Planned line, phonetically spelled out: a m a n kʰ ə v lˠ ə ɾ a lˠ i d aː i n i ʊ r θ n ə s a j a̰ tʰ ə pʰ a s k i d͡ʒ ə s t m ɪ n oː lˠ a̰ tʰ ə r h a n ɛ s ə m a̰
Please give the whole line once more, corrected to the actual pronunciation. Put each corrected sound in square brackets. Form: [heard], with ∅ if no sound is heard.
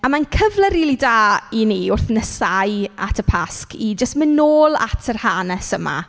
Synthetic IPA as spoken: a m a n kʰ ə v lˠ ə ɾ [i] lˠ i d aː i n i ʊ r θ n ə s a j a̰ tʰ ə pʰ a s k i d͡ʒ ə s t m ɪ n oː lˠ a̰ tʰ ə r h a n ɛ s ə m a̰